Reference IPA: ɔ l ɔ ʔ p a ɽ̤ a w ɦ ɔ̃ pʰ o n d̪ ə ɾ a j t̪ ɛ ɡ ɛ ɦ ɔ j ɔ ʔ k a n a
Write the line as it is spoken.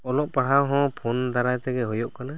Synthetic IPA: ɔ l ɔ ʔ p a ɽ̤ a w ɦ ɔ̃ pʰ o n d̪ a ɾ a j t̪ ɛ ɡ ɛ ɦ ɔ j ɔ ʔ k a n a